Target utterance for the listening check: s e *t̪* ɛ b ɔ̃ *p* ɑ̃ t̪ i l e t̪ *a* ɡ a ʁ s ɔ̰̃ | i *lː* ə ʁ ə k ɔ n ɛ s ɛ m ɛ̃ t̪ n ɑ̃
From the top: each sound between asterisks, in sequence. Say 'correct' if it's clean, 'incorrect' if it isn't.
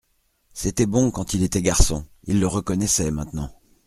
correct, incorrect: k, incorrect: ɛ, correct

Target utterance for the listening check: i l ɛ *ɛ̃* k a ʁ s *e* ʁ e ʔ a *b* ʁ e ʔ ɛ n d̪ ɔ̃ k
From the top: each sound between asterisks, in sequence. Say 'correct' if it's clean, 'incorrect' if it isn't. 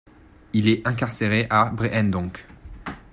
correct, correct, correct

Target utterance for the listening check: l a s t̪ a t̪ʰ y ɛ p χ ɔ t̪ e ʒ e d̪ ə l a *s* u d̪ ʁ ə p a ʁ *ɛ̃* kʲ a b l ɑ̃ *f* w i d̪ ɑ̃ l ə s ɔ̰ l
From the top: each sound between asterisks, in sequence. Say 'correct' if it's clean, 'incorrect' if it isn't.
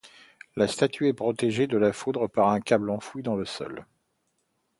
incorrect: f, correct, correct

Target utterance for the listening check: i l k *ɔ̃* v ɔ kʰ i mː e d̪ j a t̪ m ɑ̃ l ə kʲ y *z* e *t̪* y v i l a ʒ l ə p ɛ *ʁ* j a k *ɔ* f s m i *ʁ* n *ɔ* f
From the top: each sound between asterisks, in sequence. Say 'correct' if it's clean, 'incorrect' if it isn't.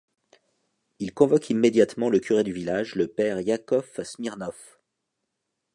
correct, incorrect: ʁ, incorrect: d̪, correct, correct, correct, correct

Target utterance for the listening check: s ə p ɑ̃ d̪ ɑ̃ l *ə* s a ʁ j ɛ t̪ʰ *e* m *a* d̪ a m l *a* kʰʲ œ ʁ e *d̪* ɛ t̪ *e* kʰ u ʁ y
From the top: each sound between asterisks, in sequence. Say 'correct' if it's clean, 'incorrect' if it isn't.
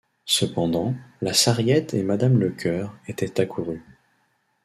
incorrect: a, correct, correct, incorrect: ə, incorrect: t̪, incorrect: a

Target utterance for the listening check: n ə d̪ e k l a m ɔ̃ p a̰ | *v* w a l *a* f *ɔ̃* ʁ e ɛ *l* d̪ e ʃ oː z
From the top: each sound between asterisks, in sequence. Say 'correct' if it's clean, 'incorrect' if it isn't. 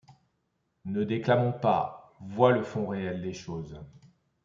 correct, incorrect: ə, correct, correct

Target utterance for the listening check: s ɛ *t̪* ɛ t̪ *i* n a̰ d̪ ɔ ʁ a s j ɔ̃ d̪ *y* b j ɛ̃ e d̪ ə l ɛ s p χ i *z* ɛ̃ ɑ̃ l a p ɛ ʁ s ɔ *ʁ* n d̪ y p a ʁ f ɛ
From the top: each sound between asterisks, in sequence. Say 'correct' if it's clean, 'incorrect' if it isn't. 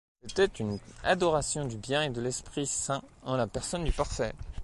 correct, incorrect: y, correct, incorrect: s, incorrect: none

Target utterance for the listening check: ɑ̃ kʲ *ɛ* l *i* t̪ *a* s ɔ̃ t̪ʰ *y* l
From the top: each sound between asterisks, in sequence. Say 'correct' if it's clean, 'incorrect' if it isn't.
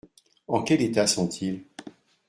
correct, incorrect: e, correct, incorrect: i

